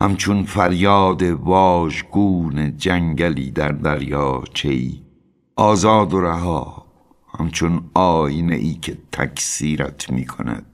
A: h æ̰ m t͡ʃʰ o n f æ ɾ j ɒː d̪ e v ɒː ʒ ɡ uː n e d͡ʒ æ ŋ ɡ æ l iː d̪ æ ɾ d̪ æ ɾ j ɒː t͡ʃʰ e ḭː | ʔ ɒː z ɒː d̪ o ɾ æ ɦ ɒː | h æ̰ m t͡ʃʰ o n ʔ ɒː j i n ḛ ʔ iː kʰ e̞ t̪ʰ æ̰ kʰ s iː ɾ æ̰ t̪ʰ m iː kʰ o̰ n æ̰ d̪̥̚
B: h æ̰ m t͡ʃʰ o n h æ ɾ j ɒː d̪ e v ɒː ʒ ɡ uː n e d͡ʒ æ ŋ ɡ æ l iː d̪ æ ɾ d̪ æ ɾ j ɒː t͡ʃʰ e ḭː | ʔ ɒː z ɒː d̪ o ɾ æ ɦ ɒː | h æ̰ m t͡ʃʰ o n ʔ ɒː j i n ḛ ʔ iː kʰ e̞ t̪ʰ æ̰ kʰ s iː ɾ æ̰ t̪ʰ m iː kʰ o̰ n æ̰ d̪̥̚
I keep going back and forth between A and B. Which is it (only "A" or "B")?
A